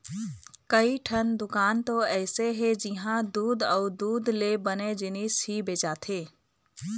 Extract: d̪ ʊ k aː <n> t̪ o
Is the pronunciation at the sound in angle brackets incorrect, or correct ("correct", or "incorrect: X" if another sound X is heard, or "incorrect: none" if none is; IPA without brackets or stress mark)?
correct